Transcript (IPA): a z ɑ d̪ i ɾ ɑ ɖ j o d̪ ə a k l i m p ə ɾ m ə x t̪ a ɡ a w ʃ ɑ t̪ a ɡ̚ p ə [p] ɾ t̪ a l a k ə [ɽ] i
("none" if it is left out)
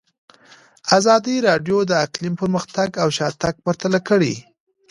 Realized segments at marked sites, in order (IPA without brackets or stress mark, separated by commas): none, ɽ